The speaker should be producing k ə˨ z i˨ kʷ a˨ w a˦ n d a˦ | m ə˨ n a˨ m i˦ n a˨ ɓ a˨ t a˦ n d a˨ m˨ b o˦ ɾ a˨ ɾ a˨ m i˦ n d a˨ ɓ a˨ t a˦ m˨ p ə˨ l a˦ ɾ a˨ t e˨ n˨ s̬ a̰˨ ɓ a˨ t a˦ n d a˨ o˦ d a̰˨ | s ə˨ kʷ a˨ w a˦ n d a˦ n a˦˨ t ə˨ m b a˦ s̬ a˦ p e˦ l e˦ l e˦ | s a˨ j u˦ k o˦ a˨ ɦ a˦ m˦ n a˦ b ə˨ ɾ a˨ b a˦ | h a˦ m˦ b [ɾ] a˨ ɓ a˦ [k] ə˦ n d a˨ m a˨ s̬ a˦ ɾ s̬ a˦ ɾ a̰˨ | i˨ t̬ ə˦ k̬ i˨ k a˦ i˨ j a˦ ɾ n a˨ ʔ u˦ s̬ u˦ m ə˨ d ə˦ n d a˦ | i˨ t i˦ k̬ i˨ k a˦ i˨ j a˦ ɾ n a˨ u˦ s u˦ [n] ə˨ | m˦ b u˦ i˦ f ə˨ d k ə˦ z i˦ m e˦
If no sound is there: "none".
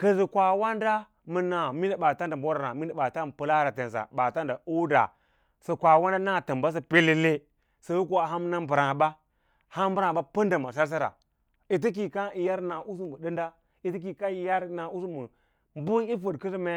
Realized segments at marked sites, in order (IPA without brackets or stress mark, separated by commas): ɾ, p, m